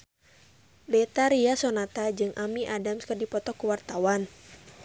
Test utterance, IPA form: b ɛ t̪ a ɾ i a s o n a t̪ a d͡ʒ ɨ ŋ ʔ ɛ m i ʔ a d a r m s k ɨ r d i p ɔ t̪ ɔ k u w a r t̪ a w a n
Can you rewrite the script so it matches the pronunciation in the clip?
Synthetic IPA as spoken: b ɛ t̪ a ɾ i a s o n a t̪ a d͡ʒ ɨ ŋ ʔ a m i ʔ a d a m s k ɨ r d i p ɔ t̪ ɔ k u w a r t̪ a w a n